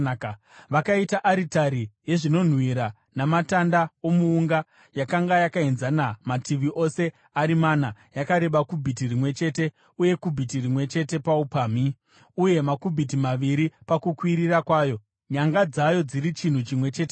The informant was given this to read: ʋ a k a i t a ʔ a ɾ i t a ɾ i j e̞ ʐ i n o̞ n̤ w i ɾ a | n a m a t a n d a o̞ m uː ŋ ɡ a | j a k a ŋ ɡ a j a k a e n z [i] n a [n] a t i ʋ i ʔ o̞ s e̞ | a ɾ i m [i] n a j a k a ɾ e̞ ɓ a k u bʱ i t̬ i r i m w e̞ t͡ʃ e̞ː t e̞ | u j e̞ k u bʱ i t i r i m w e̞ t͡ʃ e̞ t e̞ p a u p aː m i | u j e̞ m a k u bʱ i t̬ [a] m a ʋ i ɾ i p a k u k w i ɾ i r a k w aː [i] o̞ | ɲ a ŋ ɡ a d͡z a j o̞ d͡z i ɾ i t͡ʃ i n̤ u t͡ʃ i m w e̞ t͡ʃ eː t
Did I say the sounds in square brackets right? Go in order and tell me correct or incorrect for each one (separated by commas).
incorrect, incorrect, incorrect, incorrect, incorrect